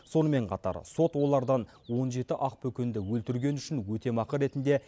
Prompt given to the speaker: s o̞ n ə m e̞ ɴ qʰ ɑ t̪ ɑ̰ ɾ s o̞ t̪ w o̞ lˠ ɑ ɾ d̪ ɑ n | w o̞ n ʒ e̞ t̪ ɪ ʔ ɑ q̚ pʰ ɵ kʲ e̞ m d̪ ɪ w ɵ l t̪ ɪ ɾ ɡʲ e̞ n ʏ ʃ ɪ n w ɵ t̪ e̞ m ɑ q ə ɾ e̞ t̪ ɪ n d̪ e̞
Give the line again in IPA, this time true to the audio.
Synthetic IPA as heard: s o̞ n ə m e̞ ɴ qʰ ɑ t̪ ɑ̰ ɾ s o̞ t̪ w o̞ lˠ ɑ ɾ d̪ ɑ n | w o̞ n ʒ e̞ t̪ ɪ ʔ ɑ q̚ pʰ ɵ kʲ e̞ n d̪ ɪ w ɵ l t̪ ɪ ɾ ɡʲ e̞ n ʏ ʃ ɪ n w ɵ t̪ e̞ m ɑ q ə ɾ e̞ t̪ ɪ n d̪ e̞